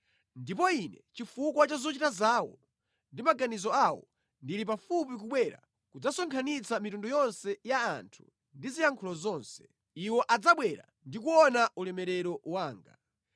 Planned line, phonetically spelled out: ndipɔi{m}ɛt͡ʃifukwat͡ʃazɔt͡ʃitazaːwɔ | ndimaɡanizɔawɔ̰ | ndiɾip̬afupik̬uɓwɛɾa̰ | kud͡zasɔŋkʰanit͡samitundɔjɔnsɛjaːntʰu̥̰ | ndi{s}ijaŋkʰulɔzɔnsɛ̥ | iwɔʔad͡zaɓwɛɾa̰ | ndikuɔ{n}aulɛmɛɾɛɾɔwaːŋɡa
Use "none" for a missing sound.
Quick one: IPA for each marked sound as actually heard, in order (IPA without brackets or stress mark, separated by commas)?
n, z, n